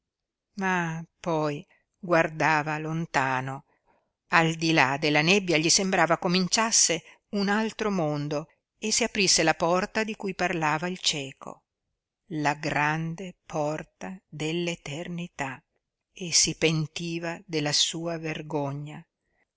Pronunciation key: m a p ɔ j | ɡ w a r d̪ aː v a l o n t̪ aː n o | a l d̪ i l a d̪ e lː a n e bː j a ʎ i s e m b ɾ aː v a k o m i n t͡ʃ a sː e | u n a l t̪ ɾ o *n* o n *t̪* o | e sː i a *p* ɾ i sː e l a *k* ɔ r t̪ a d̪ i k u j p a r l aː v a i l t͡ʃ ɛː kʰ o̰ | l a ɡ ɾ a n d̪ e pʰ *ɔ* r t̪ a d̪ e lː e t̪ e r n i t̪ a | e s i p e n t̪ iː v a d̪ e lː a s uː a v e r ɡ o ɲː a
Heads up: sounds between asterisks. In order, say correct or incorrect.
incorrect, incorrect, correct, incorrect, correct

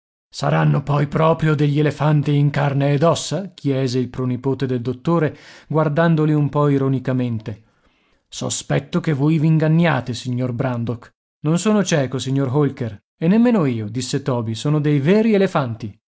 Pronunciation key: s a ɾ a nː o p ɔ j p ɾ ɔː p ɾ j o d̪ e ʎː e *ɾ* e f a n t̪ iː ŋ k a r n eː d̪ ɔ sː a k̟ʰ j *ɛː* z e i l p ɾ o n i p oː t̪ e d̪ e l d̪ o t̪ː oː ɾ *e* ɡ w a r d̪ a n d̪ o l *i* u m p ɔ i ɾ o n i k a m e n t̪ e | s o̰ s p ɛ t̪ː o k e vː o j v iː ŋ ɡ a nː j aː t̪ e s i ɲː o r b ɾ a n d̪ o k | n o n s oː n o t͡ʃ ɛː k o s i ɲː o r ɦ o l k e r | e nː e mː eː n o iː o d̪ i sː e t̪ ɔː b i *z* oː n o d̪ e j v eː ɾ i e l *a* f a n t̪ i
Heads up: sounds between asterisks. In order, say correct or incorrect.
incorrect, correct, correct, correct, incorrect, incorrect

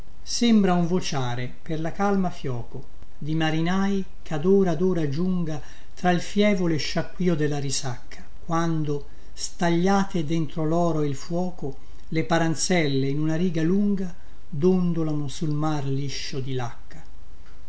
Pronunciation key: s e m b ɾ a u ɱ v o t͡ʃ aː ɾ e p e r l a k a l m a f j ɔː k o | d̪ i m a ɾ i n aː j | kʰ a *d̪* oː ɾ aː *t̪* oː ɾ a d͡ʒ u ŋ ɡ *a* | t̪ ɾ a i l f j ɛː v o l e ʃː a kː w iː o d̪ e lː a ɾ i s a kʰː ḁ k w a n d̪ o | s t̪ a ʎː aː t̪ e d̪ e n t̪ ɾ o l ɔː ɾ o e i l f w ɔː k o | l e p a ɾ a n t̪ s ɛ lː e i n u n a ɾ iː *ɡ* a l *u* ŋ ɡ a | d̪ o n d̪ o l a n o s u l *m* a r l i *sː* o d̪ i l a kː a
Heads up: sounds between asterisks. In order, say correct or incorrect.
correct, incorrect, correct, correct, correct, correct, incorrect

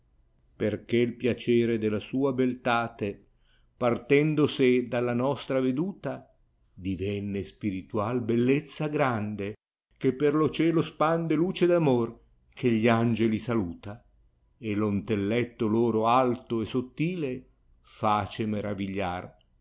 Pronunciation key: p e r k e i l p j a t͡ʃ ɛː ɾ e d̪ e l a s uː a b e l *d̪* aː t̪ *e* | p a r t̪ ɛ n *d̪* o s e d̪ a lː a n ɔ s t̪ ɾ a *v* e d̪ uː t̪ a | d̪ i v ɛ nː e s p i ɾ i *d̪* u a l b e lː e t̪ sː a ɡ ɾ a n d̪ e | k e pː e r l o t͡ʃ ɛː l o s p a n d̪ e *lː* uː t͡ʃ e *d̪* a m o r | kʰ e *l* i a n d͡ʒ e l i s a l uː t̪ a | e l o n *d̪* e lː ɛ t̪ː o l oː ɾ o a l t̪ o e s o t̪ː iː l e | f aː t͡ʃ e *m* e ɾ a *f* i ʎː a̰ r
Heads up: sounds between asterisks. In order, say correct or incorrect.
incorrect, correct, correct, correct, incorrect, incorrect, correct, incorrect, incorrect, correct, incorrect

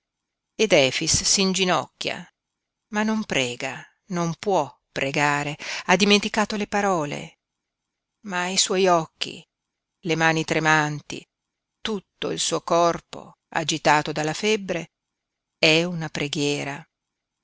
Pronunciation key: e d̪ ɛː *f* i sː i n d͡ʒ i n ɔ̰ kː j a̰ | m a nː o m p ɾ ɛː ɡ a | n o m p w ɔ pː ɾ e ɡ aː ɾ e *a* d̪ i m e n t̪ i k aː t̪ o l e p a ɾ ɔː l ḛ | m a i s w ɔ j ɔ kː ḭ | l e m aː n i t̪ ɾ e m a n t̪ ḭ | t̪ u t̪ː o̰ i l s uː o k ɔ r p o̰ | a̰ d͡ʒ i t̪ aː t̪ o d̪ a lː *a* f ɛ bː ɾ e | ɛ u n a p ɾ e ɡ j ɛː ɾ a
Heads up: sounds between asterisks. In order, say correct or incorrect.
correct, correct, correct

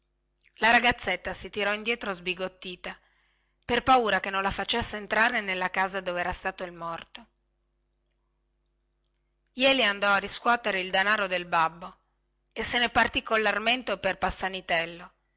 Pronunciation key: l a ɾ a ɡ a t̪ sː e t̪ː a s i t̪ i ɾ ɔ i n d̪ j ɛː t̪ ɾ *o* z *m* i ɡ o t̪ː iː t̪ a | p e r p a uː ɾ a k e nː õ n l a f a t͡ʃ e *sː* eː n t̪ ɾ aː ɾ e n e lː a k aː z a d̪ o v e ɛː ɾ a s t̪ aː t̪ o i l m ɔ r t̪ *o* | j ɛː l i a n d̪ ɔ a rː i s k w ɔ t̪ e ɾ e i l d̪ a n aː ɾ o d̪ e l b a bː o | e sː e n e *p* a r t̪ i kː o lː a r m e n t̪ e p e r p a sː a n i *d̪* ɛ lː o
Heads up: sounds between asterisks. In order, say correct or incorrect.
correct, incorrect, correct, correct, correct, incorrect

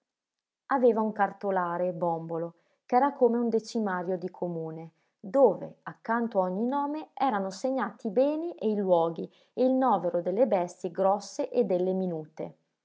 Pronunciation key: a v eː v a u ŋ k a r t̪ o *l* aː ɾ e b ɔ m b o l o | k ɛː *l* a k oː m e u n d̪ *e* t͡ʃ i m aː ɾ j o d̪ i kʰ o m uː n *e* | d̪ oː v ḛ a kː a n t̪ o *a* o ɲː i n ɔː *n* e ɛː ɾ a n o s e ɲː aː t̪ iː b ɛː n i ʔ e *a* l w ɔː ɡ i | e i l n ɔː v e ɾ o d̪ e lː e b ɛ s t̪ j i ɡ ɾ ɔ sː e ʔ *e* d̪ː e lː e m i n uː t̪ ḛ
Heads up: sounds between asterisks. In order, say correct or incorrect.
correct, incorrect, correct, correct, correct, incorrect, incorrect, correct

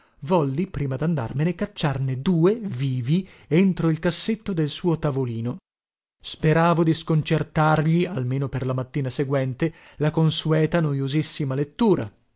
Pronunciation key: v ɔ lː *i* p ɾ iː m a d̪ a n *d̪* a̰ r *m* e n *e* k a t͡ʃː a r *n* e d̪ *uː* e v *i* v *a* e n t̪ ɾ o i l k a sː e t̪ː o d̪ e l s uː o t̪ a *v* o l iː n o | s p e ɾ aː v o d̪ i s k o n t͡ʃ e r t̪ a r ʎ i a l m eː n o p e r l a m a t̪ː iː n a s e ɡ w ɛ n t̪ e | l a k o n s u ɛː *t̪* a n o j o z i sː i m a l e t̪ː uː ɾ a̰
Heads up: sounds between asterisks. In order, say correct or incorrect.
correct, correct, correct, correct, correct, correct, incorrect, incorrect, correct, correct

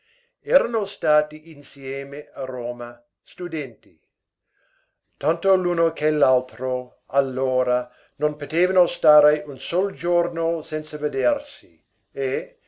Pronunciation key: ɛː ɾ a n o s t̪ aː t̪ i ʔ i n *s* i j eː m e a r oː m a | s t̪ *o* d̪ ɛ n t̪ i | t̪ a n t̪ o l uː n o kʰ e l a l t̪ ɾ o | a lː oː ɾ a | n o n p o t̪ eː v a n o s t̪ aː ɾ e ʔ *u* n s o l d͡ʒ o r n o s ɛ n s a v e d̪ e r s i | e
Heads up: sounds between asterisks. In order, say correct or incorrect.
correct, incorrect, correct

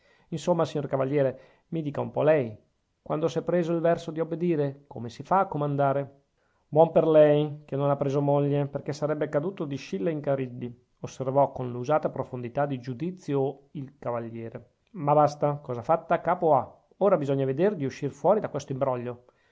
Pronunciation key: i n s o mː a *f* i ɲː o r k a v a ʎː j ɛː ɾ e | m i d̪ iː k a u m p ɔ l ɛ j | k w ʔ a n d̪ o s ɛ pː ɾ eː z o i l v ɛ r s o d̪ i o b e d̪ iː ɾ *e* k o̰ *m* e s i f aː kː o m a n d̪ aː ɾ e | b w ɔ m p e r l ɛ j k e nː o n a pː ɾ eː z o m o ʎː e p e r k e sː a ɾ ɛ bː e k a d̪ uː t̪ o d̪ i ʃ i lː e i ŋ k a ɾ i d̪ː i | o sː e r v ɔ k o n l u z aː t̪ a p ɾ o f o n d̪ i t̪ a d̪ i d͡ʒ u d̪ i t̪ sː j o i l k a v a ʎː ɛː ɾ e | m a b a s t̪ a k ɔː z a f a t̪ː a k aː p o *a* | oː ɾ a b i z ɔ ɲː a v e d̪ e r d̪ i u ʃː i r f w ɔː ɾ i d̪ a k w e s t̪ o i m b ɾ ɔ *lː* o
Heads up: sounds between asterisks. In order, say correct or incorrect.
incorrect, correct, correct, correct, incorrect

